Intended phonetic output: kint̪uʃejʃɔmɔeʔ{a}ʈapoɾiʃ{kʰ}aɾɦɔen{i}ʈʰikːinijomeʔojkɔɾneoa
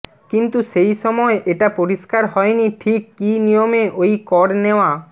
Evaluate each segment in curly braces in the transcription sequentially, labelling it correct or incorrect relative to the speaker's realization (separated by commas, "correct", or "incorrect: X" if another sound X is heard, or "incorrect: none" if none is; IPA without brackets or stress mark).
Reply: incorrect: e, incorrect: k, correct